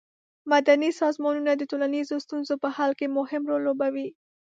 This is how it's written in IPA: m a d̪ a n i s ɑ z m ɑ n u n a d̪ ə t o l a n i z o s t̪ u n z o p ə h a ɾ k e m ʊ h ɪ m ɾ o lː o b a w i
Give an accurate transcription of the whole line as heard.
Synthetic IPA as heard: m a d̪ a n i s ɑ z m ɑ n u n a d̪ ə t o l a n i z o s t̪ u n z o p ə h a l k e m ʊ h ɪ m ɾ o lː o b a w i